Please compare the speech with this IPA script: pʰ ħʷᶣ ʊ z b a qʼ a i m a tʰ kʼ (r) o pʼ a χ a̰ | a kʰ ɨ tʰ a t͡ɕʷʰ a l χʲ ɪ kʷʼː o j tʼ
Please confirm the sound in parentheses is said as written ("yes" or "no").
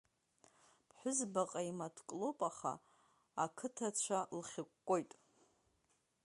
no